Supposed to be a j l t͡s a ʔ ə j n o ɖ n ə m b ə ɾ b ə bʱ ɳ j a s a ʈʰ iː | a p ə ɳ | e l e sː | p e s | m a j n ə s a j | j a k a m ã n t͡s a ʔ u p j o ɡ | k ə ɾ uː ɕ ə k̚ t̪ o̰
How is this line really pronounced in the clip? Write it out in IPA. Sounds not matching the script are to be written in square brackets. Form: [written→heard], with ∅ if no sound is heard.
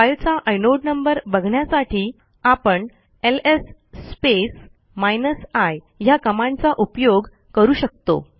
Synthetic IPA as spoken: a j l t͡s a ʔ ə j n o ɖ n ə m b ə ɾ b ə [bʱ→ɡʱ] ɳ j a s a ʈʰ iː | a p ə ɳ | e l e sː | p e s | m a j n ə s a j | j a k [a→ə] m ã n t͡s a ʔ u p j o ɡ | k ə ɾ uː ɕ ə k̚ t̪ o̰